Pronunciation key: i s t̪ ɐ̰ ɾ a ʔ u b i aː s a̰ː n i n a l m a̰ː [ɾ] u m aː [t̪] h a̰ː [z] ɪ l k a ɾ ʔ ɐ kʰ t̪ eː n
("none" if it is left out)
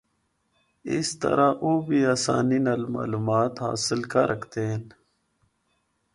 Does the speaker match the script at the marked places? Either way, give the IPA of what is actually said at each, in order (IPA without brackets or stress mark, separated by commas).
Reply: l, t̪, s